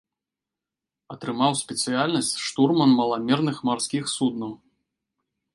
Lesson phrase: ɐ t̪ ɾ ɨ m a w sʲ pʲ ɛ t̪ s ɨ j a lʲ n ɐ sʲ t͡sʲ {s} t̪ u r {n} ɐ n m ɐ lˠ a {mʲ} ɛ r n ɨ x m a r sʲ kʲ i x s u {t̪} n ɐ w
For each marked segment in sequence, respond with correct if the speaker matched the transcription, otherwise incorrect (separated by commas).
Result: incorrect, incorrect, correct, incorrect